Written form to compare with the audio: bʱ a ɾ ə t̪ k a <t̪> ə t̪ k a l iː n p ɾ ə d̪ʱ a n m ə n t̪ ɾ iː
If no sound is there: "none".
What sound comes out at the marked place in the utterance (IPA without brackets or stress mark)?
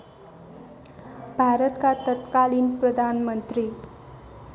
t̪